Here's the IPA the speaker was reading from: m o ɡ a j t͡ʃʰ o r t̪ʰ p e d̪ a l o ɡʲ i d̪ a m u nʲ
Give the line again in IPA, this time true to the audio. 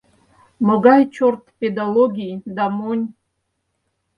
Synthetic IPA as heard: m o ɡ a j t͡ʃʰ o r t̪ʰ p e d̪ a l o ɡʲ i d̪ a m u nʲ

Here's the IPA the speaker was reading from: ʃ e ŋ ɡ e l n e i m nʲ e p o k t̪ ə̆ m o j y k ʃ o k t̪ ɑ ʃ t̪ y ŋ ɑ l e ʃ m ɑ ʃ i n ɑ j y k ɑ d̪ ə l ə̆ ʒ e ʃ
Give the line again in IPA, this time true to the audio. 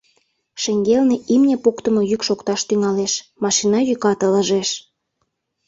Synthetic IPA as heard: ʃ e ŋ ɡ e l n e i m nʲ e p o k t̪ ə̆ m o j y k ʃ o k t̪ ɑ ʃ t̪ y ŋ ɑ l e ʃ m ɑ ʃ i n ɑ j y k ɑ t̪ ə l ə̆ ʒ e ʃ

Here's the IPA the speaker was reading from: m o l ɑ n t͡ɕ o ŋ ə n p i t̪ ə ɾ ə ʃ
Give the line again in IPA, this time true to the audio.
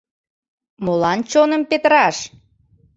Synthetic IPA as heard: m o l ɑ n t͡ɕ o n ə m p e t̪ ə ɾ ɑ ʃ

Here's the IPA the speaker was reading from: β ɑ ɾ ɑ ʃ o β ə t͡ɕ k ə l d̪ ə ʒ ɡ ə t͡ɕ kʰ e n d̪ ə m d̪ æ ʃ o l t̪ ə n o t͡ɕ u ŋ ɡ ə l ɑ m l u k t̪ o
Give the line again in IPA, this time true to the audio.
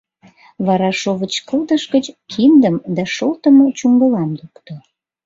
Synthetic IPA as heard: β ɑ ɾ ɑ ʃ o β ə t͡ɕ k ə l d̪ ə ʃ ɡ ə t͡ɕ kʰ i n d̪ ə m d̪ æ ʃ o l t̪ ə m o t͡ɕ u ŋ ɡ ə l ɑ m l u k t̪ o

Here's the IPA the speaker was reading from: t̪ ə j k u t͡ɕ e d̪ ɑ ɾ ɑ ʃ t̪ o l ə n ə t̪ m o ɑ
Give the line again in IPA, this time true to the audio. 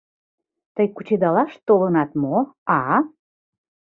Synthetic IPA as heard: t̪ ə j k u t͡ɕ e d̪ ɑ l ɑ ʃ t̪ o l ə n ɑ t̪ m o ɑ

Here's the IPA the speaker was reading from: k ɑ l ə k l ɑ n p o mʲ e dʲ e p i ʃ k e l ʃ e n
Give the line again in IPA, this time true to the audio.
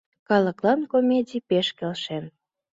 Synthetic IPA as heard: k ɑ l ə k l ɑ n k o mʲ e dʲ i p e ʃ k e l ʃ e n

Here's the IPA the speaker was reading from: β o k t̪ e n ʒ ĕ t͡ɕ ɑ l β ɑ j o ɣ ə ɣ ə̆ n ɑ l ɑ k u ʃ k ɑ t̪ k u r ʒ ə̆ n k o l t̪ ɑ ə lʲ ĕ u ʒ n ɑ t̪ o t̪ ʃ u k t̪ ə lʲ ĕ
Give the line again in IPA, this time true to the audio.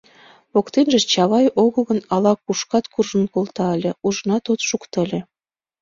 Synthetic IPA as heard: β o k t̪ e n ʒ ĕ t͡ɕ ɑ β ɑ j o ɣ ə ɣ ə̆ n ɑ l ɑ k u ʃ k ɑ t̪ k u r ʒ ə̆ n k o l t̪ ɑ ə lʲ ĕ u ʒ n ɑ t̪ o t̪ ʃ u k t̪ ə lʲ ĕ

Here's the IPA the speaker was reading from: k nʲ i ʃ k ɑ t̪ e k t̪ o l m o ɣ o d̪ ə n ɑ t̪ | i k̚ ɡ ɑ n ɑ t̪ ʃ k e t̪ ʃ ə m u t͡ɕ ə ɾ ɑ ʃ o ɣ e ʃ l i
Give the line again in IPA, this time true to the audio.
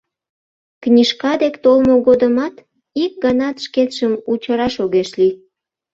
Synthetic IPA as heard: k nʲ i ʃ k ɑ d̪ e k t̪ o l m o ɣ o d̪ ə m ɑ t̪ | i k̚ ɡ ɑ n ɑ t̪ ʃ k e t̪ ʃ ə m u t͡ɕ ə ɾ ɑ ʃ o ɣ e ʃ l i

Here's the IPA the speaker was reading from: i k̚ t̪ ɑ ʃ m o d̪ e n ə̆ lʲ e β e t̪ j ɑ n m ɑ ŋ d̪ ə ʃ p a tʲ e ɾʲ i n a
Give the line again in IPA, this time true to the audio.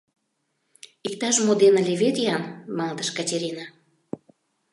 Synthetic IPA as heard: i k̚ t̪ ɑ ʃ m o d̪ e n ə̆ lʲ e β e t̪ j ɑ n m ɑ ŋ d̪ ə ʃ k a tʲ e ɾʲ i n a

